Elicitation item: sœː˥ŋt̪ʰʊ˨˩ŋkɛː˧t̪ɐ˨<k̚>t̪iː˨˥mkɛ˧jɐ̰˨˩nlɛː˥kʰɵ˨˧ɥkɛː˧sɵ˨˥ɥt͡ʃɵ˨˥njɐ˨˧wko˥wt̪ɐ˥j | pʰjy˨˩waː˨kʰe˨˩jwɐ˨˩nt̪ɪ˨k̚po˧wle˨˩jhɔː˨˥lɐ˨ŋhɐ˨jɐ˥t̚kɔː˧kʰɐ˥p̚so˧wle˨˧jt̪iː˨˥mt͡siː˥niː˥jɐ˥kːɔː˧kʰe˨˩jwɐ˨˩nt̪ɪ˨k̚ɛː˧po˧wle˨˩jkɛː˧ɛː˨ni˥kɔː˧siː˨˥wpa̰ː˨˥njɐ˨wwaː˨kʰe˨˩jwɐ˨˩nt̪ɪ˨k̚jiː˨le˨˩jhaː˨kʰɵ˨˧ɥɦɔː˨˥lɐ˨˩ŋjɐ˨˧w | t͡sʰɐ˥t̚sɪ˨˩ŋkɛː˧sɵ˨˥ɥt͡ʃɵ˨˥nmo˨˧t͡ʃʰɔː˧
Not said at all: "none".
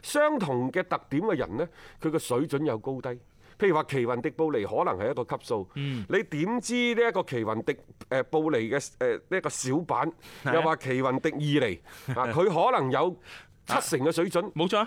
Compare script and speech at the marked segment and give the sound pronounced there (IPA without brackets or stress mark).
k̚